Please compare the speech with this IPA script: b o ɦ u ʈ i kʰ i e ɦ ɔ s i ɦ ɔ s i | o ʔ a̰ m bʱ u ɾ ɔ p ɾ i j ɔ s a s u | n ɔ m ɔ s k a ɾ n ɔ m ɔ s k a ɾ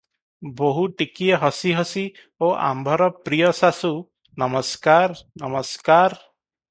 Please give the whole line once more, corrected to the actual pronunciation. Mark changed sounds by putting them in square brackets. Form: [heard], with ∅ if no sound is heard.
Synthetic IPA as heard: b o ɦ u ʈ i [k] i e ɦ ɔ s i ɦ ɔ s i | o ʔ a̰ m bʱ [ɔ] ɾ ɔ p ɾ i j ɔ s a s u | n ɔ m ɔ s k a ɾ n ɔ m ɔ s k a ɾ

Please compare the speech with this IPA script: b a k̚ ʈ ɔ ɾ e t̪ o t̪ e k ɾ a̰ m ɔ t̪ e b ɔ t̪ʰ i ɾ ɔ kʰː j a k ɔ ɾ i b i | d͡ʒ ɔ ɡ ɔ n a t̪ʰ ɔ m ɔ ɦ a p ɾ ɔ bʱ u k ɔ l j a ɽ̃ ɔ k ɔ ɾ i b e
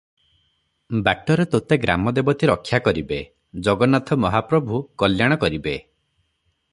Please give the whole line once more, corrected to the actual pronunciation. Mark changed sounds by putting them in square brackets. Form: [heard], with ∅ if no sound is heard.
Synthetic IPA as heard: b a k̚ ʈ ɔ ɾ e t̪ o t̪ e [ɡ] ɾ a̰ m ɔ [d̪] e b ɔ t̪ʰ i ɾ ɔ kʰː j a k ɔ ɾ i b [e] | d͡ʒ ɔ ɡ ɔ n a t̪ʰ ɔ m ɔ ɦ a p ɾ ɔ bʱ u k ɔ l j a ɽ̃ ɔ k ɔ ɾ i b e

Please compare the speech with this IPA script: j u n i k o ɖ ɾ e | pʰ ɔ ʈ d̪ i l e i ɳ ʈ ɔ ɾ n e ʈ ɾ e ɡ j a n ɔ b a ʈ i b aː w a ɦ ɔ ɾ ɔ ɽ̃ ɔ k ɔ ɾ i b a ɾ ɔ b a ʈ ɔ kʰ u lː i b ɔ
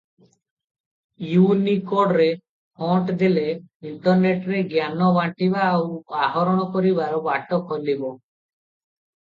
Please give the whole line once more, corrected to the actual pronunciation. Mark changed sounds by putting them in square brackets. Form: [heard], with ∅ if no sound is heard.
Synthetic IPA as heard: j u n i k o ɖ ɾ e | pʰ ɔ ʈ d̪ i l e i ɳ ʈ ɔ ɾ n e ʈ ɾ e ɡ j a n ɔ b a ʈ i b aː w a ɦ ɔ ɾ ɔ ɽ̃ ɔ k ɔ ɾ i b a ɾ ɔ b a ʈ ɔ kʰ [ɔ] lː i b ɔ

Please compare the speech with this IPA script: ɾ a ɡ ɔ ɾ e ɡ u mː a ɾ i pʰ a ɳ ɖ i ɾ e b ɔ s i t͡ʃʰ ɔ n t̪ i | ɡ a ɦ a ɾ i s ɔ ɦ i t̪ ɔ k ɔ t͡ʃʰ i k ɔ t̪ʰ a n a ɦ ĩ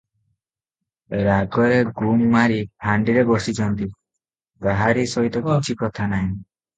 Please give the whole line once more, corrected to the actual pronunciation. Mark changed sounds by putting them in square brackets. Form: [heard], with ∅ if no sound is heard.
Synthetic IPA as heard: ɾ a ɡ ɔ ɾ e ɡ u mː a ɾ i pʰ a ɳ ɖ i ɾ e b ɔ s i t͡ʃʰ ɔ n t̪ i | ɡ a ɦ a ɾ i s ɔ ɦ i t̪ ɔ k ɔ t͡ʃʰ i k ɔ t̪ʰ a n a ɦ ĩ

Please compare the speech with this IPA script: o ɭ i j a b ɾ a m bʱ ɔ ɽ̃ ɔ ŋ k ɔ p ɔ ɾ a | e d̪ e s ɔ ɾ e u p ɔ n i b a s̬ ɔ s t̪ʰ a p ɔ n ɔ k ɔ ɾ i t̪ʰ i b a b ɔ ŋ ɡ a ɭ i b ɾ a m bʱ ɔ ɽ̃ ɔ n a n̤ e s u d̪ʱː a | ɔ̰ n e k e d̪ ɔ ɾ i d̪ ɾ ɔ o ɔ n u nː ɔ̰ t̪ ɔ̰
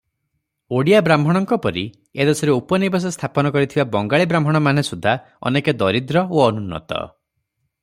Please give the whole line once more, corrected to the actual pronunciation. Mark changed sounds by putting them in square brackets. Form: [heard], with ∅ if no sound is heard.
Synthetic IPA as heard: o [ɽ] i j a b ɾ a m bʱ ɔ ɽ̃ ɔ ŋ k ɔ p ɔ ɾ [i] | e d̪ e s ɔ ɾ e u p ɔ n i b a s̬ ɔ s t̪ʰ a p ɔ n ɔ k ɔ ɾ i t̪ʰ i b a b ɔ ŋ ɡ a ɭ i b ɾ a m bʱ ɔ ɽ̃ ɔ [m] a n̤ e s u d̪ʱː a | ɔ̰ n e k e d̪ ɔ ɾ i d̪ ɾ ɔ o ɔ n u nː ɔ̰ t̪ ɔ̰

